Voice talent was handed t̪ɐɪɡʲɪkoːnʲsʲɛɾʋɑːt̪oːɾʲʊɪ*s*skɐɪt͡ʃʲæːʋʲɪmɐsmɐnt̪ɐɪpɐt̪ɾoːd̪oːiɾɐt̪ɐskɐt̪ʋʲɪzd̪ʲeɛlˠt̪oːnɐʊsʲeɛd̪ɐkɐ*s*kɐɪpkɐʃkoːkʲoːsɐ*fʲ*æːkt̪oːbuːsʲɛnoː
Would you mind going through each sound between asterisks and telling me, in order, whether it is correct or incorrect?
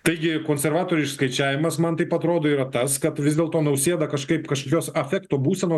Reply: incorrect: ʃ, incorrect: ʃ, correct

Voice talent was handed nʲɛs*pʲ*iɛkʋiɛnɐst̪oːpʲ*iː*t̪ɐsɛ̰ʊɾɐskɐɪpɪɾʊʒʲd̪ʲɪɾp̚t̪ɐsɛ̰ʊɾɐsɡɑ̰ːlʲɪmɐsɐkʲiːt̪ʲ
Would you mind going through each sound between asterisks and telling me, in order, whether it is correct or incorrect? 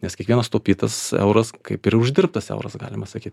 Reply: incorrect: kʲ, correct

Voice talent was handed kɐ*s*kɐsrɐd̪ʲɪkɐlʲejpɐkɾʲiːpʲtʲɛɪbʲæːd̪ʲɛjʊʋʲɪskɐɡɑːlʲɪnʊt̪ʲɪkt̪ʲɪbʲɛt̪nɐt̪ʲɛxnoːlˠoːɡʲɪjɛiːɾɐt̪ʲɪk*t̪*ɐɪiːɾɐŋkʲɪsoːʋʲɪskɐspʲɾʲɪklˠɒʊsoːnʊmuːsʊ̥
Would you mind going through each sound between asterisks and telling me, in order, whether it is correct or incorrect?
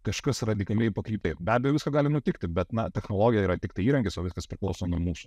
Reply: incorrect: ʃ, correct

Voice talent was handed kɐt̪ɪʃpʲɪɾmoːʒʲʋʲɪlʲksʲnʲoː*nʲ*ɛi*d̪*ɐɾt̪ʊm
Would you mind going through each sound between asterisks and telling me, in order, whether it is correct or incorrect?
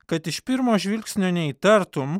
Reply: correct, incorrect: t̪

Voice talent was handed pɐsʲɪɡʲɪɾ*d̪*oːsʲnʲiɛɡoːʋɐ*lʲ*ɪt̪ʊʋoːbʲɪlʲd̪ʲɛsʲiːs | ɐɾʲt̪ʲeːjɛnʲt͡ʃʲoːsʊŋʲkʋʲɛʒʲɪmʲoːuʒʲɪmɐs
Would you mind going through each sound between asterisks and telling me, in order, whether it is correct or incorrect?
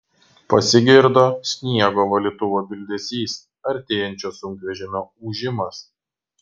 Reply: correct, correct

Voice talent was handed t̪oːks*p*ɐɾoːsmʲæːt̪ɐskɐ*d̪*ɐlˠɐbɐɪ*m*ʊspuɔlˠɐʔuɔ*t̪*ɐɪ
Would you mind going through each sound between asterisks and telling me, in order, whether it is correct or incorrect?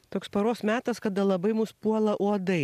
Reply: correct, correct, correct, incorrect: d̪

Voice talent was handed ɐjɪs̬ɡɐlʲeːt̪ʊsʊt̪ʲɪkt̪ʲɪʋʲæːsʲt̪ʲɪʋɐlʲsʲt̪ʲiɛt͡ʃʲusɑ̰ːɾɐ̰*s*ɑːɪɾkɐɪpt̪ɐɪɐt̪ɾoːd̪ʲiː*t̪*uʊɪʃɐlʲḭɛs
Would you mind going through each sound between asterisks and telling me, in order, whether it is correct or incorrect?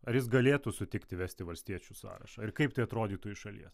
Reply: incorrect: ʃ, correct

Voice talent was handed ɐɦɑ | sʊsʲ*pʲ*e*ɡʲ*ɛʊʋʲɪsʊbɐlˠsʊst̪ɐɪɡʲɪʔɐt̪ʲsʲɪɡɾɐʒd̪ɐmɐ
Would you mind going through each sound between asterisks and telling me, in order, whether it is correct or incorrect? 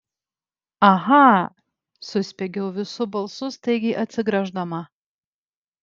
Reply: correct, correct

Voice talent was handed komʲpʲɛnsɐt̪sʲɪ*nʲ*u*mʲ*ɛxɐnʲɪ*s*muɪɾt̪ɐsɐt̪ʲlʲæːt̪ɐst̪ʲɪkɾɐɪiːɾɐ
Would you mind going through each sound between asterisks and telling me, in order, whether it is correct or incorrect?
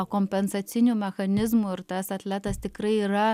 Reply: correct, correct, incorrect: z

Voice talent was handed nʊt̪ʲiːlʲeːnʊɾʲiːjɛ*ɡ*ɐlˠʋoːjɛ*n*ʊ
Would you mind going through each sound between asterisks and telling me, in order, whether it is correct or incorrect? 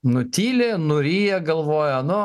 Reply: correct, correct

